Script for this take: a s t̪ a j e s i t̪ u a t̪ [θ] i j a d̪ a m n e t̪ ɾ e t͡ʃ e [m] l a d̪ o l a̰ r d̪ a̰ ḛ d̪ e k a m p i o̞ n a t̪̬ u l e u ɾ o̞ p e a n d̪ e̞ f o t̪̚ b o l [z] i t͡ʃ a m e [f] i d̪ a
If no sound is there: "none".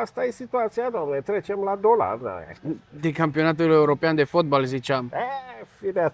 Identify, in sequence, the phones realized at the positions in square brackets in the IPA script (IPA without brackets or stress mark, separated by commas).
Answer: s, m, z, f